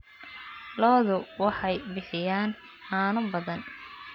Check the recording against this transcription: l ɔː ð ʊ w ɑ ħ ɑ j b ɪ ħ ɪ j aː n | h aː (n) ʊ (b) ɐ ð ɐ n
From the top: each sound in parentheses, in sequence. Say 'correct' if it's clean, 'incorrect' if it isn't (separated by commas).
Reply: correct, correct